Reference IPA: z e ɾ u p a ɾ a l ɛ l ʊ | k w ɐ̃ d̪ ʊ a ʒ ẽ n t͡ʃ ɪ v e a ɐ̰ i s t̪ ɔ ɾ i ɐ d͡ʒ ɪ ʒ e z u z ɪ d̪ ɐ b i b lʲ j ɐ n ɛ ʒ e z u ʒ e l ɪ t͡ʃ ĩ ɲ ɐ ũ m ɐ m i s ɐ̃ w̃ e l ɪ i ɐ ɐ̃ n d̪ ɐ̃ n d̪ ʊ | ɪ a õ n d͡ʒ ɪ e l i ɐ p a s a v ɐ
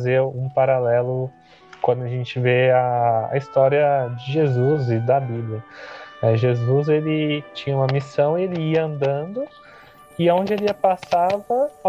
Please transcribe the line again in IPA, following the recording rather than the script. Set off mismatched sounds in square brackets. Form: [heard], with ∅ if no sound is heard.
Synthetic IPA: z e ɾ [ũ] p a ɾ a l ɛ l ʊ | k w ɐ̃ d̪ ʊ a ʒ ẽ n t͡ʃ ɪ v e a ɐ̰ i s t̪ ɔ ɾ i ɐ d͡ʒ ɪ ʒ e z u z ɪ d̪ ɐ b i b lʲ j ɐ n ɛ ʒ e z u [z] e l ɪ t͡ʃ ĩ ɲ ɐ ũ m ɐ m i s ɐ̃ w̃ e l ɪ i ɐ ɐ̃ n d̪ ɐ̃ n d̪ ʊ | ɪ a õ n d͡ʒ ɪ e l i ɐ p a s a v ɐ